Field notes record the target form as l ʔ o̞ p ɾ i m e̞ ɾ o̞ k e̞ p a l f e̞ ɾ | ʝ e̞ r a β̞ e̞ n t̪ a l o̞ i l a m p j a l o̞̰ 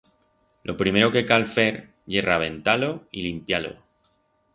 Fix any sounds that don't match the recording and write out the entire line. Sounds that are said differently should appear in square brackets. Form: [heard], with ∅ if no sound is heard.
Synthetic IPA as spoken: l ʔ o̞ p ɾ i m e̞ ɾ o̞ k e̞ [k] a l f e̞ ɾ | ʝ e̞ r a β̞ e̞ n t̪ a l o̞ i l [i] m p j a l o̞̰